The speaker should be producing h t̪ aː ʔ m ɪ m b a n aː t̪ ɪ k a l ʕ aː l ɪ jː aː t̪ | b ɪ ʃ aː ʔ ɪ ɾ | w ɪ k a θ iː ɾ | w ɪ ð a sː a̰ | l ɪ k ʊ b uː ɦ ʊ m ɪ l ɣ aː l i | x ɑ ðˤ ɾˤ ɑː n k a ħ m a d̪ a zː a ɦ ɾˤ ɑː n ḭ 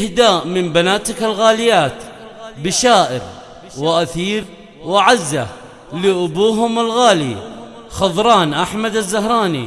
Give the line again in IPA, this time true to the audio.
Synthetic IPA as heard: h d̪ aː ʔ m ɪ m b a n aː t̪ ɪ k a l ɣ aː l ɪ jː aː t̪ | b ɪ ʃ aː ʔ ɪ ɾ | w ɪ ʔ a θ iː ɾ | w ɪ ʕ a zː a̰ | l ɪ ʔ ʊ b uː ɦ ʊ m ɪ l ɣ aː l i | x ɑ ðˤ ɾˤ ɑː n ʔ a ħ m a d̪ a zː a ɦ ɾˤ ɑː n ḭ